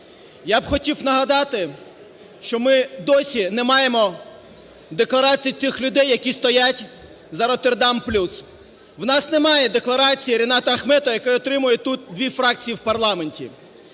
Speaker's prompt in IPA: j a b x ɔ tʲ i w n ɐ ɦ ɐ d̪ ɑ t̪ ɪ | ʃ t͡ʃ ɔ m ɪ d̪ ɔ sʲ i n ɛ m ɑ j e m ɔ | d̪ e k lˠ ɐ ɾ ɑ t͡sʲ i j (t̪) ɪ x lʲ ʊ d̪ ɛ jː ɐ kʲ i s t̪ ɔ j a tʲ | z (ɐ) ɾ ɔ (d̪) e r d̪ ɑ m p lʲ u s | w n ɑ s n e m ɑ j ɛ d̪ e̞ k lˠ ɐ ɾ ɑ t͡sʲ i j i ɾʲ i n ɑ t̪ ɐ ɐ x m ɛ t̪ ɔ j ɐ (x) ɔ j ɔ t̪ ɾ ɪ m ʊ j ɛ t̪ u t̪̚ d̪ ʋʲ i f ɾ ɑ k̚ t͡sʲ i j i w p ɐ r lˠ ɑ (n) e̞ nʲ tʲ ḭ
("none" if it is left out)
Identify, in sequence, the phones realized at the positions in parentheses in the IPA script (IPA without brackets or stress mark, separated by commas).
t̪, ɐ, t̪, k, m